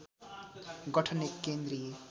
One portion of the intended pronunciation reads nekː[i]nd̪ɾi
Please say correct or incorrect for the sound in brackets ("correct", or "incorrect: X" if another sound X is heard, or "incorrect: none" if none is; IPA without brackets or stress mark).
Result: incorrect: e